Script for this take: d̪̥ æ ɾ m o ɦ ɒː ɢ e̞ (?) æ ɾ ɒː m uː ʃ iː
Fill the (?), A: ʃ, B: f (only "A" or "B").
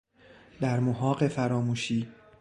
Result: B